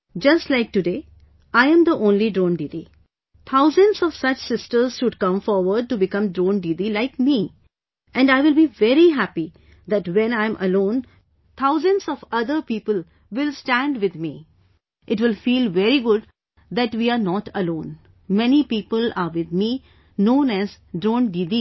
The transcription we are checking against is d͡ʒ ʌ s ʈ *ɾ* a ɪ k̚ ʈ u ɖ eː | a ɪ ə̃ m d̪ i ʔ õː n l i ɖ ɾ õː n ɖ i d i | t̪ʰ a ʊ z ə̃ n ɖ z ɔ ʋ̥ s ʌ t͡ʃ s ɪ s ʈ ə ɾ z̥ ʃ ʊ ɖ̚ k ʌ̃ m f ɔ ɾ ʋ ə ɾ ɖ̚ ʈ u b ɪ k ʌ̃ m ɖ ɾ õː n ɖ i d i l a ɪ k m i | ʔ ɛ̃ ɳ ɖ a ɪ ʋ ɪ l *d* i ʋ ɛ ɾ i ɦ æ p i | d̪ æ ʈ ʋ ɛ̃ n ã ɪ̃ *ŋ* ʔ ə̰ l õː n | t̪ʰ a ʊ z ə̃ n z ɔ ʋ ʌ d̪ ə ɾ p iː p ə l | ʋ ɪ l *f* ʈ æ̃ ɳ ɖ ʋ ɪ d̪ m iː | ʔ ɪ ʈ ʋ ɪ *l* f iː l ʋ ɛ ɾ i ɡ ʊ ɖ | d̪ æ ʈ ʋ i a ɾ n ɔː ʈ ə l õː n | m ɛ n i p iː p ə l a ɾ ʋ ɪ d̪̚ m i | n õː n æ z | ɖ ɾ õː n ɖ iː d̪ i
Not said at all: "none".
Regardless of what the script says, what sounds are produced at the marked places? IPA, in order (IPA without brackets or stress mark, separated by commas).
l, b, m, s, l